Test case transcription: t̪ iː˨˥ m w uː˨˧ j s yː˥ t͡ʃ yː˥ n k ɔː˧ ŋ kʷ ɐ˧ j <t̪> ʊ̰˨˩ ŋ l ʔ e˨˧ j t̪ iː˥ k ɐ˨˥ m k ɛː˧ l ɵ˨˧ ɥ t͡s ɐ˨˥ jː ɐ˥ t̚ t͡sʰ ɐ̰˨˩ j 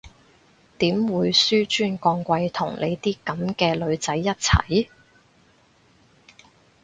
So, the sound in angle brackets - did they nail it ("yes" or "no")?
no